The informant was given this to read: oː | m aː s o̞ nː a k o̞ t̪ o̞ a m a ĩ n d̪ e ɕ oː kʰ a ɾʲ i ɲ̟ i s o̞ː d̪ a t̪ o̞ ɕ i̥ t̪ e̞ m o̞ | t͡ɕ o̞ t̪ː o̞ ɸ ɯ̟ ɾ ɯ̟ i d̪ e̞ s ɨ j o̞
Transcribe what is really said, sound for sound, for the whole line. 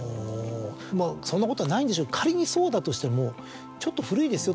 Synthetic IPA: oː | m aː s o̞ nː a k o̞ t̪ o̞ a n a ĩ n d̪ e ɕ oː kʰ a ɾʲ i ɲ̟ i s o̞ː d̪ a t̪ o̞ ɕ i̥ t̪ e̞ m o̞ | t͡ɕ o̞ t̪ː o̞ ɸ ɯ̟ ɾ ɯ̟ i d̪ e̞ s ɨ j o̞